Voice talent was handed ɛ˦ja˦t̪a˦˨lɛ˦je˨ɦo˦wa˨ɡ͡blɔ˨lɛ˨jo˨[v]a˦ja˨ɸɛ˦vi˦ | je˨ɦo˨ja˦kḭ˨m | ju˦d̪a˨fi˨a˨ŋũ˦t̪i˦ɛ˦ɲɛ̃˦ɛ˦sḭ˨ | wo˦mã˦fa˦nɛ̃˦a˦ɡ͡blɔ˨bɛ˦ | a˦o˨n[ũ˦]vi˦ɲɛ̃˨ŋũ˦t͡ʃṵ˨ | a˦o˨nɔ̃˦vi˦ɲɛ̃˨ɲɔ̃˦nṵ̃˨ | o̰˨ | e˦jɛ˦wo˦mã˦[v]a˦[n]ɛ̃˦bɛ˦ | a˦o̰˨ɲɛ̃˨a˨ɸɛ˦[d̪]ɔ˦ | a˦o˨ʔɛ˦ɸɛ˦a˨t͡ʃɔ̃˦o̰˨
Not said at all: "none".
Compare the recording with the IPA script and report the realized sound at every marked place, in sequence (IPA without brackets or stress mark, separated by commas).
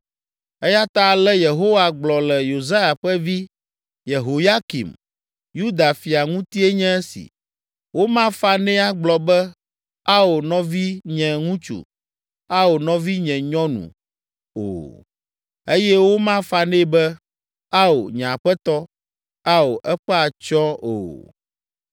z, ɔ̃˦, f, n, t̪